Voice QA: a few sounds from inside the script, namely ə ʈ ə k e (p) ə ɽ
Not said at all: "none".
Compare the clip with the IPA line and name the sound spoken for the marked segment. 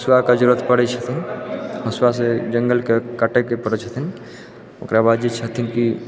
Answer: p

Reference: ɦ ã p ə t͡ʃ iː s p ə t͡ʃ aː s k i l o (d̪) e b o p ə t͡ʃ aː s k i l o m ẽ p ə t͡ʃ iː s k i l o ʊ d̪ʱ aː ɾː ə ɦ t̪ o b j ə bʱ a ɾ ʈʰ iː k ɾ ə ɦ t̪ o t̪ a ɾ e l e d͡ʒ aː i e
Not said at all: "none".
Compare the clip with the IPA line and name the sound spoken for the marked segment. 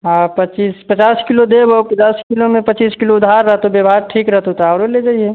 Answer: d̪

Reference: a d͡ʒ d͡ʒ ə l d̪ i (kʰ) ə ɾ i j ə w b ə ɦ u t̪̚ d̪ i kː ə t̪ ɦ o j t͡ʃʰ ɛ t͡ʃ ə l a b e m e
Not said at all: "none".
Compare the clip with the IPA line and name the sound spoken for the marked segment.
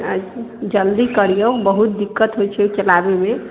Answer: k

